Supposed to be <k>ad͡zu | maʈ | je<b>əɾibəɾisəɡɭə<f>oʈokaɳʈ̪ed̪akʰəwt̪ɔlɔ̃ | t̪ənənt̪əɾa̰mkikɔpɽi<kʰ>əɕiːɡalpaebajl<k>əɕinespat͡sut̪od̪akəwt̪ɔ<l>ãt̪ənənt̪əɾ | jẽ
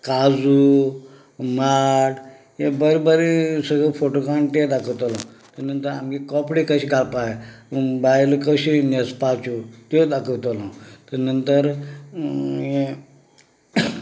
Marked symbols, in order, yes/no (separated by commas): yes, yes, yes, no, yes, yes